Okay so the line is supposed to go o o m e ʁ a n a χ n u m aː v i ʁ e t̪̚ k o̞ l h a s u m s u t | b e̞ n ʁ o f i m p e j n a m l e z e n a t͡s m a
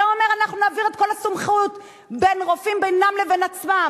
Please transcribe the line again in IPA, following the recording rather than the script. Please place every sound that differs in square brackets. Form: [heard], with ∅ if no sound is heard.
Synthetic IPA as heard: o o m e ʁ a n a χ n u [n] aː v i ʁ e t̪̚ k o̞ l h a s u m [χ] u t | b e̞ n ʁ o f i m [b] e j n a m l e [v] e n a t͡s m a